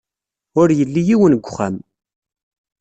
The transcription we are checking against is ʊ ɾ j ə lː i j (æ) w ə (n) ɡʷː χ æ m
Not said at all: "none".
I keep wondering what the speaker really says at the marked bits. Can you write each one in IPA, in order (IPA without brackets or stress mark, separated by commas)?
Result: i, n